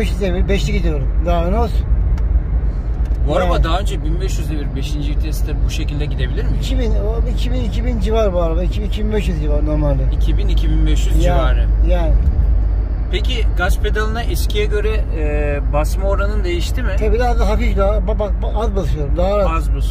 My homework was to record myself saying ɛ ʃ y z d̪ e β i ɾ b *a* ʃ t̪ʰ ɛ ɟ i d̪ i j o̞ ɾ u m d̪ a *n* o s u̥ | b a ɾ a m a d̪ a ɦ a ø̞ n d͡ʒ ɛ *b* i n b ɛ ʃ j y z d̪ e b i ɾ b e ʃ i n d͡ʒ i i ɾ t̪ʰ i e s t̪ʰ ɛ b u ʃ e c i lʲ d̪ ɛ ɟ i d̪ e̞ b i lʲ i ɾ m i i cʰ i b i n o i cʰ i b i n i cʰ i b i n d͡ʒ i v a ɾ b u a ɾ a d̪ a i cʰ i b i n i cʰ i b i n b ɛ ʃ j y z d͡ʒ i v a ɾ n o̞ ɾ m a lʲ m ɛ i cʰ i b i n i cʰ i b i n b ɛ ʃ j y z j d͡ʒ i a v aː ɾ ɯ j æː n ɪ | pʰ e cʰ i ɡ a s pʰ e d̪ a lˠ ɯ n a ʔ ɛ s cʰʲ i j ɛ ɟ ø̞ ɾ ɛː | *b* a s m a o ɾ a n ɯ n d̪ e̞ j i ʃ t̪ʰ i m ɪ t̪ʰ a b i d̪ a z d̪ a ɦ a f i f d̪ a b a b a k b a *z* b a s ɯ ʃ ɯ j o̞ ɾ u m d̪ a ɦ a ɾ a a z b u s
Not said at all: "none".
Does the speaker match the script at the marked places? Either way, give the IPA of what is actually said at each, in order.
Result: ɛ, n, b, b, z

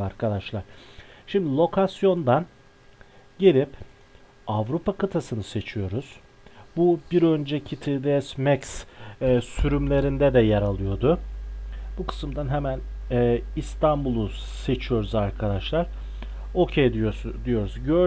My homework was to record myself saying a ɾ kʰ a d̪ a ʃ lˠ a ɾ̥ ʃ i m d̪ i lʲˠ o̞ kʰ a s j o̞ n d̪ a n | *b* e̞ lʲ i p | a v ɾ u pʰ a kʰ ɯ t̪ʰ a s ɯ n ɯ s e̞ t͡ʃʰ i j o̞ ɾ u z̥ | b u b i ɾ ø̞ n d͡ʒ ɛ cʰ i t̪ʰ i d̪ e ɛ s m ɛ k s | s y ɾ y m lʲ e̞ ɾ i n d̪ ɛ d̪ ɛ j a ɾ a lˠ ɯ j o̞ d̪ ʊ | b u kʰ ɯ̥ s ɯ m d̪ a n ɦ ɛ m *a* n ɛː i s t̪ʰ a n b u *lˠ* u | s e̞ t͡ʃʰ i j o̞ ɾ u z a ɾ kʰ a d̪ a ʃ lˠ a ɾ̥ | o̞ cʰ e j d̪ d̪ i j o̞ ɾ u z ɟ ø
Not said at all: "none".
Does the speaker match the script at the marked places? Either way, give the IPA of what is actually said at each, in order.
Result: ɟ, æ, lˠ

